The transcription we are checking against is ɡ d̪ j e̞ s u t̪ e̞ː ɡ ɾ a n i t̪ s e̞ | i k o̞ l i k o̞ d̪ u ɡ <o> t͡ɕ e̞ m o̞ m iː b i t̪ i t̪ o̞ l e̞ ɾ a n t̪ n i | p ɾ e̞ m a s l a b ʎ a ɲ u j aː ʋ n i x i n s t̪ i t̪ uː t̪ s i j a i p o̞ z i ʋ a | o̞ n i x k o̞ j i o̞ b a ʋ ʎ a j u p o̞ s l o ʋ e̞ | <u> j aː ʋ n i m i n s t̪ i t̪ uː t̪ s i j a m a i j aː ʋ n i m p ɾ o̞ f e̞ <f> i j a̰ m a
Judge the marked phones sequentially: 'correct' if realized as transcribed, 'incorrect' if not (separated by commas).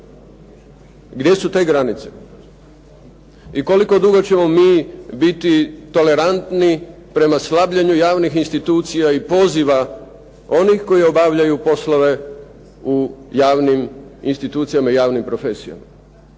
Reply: correct, correct, incorrect